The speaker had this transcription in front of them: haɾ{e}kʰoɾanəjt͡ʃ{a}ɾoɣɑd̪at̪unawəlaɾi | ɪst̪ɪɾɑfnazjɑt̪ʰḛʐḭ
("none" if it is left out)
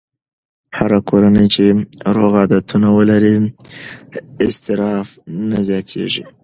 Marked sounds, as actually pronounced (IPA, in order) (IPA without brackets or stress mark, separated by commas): a, e